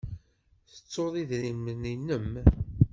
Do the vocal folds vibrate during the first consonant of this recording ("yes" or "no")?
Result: no